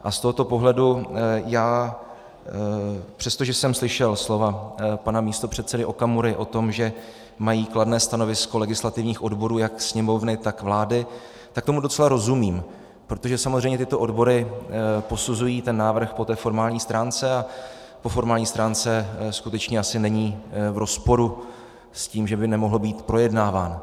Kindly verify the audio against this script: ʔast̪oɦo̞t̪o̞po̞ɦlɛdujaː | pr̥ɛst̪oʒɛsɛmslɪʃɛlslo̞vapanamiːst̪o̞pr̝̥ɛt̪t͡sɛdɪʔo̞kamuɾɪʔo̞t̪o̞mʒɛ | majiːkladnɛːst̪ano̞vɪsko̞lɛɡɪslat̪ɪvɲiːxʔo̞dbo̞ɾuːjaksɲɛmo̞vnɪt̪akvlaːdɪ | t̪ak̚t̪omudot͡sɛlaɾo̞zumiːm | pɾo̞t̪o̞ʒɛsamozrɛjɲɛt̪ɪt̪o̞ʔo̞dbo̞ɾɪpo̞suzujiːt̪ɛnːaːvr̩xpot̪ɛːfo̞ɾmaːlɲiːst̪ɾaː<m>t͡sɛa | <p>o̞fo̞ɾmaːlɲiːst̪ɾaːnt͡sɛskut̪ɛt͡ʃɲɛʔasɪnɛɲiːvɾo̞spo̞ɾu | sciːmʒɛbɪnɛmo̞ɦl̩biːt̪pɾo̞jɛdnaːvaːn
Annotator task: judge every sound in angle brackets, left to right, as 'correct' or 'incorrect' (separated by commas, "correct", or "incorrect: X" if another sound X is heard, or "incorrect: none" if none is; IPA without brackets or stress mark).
incorrect: n, correct